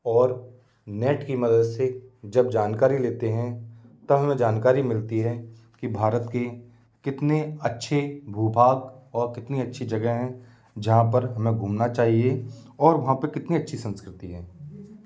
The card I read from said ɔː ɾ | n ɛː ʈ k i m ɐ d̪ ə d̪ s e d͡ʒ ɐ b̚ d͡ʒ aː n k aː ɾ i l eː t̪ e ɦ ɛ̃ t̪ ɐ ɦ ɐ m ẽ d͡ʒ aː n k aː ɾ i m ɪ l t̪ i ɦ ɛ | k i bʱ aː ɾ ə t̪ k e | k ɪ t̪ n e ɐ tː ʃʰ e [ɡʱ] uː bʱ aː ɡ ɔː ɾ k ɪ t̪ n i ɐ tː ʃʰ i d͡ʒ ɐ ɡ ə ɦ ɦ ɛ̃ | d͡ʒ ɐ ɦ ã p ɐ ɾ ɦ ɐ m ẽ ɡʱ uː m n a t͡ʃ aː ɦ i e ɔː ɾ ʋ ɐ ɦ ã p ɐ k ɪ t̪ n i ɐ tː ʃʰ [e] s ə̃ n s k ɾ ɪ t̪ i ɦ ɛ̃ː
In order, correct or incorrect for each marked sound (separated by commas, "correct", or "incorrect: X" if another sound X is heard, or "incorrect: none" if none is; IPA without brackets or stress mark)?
incorrect: bʱ, incorrect: i